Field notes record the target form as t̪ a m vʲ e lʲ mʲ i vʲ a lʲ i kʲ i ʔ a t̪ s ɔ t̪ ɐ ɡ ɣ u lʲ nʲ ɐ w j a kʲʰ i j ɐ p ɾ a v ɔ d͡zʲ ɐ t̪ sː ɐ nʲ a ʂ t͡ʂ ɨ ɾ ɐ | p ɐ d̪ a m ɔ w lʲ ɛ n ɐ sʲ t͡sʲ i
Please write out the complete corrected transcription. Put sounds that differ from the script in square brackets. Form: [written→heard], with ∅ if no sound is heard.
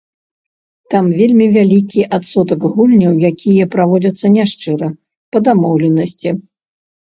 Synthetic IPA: t̪ a m vʲ e lʲ mʲ i vʲ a lʲ i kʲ i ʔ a t̪ s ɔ t̪ ɐ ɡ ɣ u lʲ nʲ ɐ w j a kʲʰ i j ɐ p ɾ a v ɔ d͡zʲ ɐ t̪ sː ɐ nʲ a ʂ t͡ʂ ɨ ɾ ɐ | p ɐ d̪ a m ɔ w lʲ ɛ n ɐ sʲ t͡sʲ i